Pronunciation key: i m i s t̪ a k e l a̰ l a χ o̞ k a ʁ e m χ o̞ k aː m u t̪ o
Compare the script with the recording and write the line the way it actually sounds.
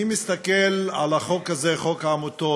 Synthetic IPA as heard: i m i s t̪ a k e l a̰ l a χ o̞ k a z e χ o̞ k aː m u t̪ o